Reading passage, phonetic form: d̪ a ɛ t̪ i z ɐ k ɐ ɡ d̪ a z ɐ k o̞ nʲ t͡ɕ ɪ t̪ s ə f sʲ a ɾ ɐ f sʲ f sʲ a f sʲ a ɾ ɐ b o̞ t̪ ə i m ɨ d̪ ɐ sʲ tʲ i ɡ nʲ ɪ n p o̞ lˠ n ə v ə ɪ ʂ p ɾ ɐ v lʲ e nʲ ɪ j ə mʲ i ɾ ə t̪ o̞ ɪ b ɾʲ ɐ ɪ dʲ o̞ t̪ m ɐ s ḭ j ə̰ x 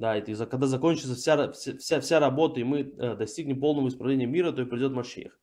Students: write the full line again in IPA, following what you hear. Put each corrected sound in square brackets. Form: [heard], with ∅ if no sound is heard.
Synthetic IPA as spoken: d̪ a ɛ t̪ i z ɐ k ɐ ɡ d̪ a z ɐ k o̞ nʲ t͡ɕ ɪ t̪ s ə f sʲ a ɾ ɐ f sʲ f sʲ a f sʲ a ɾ ɐ b o̞ t̪ ə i m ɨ d̪ ɐ sʲ tʲ i ɡ nʲ ɪ [m] p o̞ lˠ n ə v ə ɪ [s] p ɾ ɐ v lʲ e nʲ ɪ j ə mʲ i ɾ ə t̪ o̞ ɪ [p] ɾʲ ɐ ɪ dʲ o̞ t̪ m ɐ [ʂ] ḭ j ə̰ x

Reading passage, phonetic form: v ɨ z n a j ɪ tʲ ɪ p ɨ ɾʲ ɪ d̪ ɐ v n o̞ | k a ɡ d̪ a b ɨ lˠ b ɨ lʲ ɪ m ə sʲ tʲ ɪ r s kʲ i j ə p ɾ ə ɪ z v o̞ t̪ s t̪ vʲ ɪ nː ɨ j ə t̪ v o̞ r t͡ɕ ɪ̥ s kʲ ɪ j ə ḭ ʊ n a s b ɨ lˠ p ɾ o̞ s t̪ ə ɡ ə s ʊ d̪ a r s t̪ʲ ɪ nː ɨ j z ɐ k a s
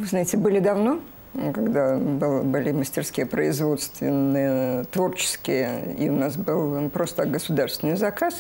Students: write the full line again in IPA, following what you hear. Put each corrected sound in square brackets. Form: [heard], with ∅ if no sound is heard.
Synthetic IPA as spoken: v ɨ z n a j ɪ tʲ ɪ [b] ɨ [lʲ] ɪ d̪ ɐ v n o̞ | k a ɡ d̪ a b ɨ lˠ b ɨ lʲ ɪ m ə sʲ tʲ ɪ r s kʲ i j ə p ɾ ə ɪ z v o̞ t̪ s t̪ vʲ ɪ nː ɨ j ə t̪ v o̞ r t͡ɕ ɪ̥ s kʲ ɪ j ə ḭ ʊ n a s b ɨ lˠ p ɾ o̞ s t̪ ə ɡ ə s ʊ d̪ a r s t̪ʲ ɪ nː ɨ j z ɐ k a s

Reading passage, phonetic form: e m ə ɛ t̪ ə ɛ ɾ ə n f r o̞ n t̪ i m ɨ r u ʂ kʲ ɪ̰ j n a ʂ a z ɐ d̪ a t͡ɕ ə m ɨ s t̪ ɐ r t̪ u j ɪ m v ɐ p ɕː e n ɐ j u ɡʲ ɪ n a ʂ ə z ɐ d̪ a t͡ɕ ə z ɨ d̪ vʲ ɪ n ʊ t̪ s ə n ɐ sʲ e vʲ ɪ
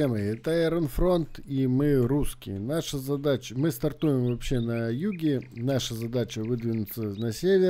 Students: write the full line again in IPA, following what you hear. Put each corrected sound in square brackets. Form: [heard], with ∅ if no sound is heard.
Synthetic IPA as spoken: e m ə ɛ t̪ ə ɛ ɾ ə n f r o̞ n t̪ i m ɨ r u [s] kʲ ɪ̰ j n a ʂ [ə] z ɐ d̪ a t͡ɕ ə m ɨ s t̪ ɐ r t̪ u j ɪ m v ɐ p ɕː e n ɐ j u ɡʲ ɪ n a ʂ ə z ɐ d̪ a t͡ɕ ə [v] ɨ d̪ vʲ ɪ n ʊ t̪ s ə n ɐ sʲ e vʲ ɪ

